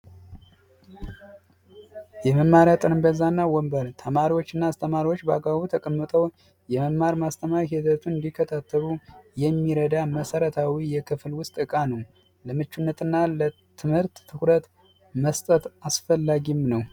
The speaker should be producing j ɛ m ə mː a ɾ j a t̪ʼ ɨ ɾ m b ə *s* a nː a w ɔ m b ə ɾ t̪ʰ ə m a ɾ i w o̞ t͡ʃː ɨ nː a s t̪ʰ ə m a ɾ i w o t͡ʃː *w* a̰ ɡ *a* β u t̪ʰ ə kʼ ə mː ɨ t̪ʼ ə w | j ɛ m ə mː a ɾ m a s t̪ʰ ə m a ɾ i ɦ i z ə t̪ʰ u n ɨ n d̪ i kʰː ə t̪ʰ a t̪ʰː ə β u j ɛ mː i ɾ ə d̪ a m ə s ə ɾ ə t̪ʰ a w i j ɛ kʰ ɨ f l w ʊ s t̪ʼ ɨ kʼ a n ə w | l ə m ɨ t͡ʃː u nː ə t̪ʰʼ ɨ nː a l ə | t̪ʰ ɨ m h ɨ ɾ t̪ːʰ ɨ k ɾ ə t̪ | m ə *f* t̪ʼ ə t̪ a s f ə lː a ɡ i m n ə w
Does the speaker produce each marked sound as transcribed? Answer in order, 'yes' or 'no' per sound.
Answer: no, no, yes, no

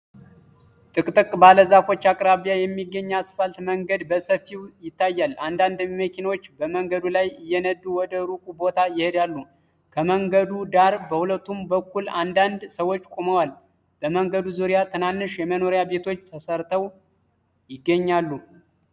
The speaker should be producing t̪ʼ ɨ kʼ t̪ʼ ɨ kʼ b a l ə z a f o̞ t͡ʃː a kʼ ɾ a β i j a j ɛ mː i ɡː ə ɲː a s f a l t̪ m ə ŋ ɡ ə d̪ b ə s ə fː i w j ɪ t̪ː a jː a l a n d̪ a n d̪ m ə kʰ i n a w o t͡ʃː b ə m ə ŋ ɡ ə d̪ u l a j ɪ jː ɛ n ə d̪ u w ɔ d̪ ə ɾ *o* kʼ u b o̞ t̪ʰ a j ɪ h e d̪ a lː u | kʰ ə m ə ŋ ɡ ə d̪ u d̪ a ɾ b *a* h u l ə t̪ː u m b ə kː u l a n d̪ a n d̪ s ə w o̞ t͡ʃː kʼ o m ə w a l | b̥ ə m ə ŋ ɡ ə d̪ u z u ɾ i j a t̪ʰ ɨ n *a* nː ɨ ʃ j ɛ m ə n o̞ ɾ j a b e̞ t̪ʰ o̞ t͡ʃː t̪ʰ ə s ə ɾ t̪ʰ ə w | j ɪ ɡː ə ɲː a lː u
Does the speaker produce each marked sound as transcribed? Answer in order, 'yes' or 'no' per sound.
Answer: no, no, yes

